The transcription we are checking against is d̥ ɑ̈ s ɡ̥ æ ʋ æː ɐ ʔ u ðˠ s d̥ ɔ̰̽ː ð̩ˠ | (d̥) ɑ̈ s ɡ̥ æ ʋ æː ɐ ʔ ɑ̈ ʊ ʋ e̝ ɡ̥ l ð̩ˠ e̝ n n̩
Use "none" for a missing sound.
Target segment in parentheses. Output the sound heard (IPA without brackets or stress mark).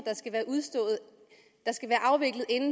d̥